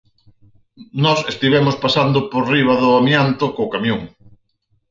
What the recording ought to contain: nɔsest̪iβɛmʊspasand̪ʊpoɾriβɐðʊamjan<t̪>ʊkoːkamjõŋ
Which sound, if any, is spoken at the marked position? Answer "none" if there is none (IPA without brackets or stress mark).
t̪